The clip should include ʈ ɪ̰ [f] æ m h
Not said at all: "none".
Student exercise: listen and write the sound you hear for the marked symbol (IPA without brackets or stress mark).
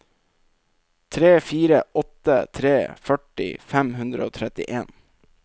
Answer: f